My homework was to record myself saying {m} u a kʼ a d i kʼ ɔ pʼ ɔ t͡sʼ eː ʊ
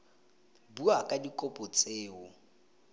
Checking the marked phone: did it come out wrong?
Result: yes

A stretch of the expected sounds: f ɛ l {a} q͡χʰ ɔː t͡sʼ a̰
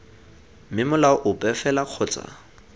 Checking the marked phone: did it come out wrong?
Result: no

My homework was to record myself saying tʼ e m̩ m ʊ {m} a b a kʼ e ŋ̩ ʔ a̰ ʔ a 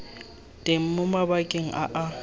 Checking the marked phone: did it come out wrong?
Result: no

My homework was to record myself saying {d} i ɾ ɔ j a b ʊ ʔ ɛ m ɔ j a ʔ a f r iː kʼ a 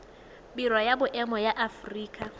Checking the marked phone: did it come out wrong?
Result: yes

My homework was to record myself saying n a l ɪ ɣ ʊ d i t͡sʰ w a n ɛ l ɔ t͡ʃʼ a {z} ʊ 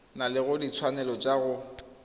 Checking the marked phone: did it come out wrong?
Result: yes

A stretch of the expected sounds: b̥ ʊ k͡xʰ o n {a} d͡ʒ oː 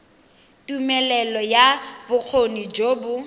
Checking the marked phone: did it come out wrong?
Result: yes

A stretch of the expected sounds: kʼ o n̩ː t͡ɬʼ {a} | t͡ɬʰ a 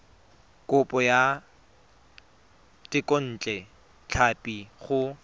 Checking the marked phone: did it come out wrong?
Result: yes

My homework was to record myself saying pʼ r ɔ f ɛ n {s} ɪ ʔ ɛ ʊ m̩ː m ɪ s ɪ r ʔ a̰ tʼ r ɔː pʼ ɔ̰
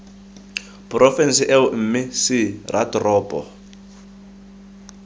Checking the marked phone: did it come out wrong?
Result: no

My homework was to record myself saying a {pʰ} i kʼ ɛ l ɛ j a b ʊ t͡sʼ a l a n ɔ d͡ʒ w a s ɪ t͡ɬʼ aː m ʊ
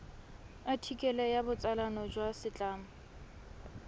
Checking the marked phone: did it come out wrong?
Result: yes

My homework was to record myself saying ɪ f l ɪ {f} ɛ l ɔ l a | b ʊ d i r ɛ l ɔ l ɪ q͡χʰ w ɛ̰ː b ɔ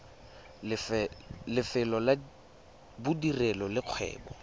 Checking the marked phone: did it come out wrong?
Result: no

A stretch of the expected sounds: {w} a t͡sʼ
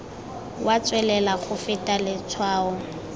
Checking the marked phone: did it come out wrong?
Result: no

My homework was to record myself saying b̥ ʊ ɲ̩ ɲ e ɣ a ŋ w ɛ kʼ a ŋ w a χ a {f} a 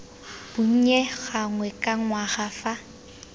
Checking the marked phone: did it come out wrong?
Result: no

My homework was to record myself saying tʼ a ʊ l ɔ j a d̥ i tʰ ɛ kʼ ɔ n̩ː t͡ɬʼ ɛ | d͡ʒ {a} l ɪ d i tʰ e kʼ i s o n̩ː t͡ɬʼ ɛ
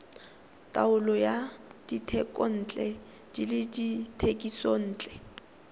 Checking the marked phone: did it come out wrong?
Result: yes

